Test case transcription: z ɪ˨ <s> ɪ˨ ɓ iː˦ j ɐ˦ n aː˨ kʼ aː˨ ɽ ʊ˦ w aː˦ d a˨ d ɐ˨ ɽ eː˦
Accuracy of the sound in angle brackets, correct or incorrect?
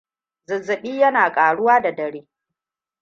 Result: incorrect